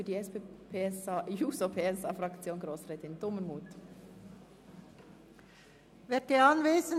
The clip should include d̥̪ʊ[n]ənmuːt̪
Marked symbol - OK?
no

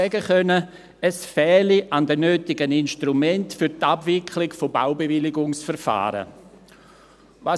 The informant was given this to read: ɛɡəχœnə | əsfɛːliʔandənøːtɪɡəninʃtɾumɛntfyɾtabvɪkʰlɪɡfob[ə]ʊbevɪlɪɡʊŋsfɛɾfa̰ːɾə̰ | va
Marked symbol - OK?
no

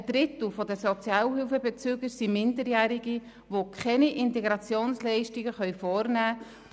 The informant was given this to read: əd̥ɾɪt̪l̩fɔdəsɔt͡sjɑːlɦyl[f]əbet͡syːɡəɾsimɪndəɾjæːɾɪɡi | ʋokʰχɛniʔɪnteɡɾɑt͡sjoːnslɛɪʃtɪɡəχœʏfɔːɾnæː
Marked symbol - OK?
yes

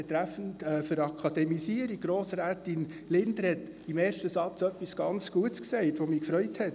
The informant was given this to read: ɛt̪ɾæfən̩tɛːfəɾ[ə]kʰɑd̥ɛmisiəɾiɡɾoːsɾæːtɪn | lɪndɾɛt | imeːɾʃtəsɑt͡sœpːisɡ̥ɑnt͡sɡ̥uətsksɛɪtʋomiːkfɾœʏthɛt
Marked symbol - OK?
no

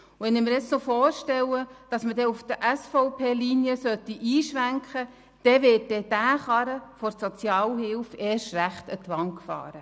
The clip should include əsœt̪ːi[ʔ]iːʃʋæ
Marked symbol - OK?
yes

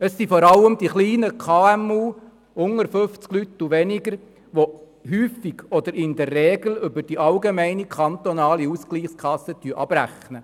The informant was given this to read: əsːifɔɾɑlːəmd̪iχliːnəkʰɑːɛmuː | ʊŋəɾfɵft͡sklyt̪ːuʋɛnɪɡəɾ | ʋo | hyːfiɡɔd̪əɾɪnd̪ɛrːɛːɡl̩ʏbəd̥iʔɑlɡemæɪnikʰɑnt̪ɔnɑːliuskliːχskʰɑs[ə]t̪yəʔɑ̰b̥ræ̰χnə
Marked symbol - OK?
yes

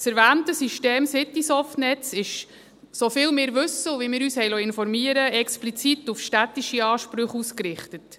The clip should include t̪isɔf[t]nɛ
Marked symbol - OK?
yes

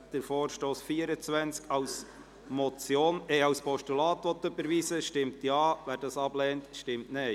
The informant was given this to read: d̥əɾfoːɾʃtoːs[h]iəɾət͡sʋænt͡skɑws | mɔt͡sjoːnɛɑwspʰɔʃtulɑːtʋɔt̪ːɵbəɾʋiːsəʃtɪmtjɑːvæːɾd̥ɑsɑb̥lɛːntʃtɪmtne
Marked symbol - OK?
no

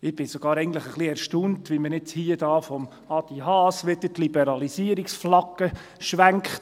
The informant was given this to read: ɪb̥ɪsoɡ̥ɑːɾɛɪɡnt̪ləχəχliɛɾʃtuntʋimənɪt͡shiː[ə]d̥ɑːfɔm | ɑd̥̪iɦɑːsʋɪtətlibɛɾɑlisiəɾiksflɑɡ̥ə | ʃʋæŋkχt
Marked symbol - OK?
yes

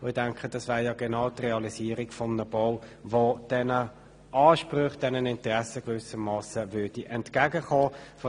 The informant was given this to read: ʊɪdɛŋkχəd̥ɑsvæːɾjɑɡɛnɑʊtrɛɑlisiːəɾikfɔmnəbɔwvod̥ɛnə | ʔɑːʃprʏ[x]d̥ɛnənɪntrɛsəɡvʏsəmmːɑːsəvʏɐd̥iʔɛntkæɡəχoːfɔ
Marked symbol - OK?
no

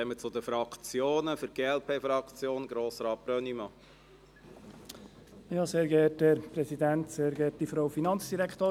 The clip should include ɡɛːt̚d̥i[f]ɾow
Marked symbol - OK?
yes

